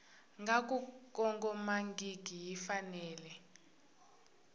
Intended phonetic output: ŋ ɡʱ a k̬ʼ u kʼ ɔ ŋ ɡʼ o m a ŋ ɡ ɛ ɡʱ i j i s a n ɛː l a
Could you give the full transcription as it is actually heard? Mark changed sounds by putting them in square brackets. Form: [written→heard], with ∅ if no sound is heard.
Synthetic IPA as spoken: ŋ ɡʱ a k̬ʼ u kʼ ɔ ŋ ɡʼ [o→ɔ] m a ŋ ɡ [ɛ→i] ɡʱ i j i [s→f] a n ɛː l [a→ɛ]